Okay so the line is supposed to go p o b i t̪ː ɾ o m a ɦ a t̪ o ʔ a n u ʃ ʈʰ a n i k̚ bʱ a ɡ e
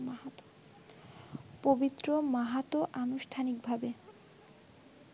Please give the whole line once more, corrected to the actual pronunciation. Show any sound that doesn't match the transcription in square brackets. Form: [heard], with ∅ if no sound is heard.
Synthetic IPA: p o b i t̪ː ɾ o m a ɦ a t̪ o ʔ a n u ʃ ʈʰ a n i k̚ bʱ a [b] e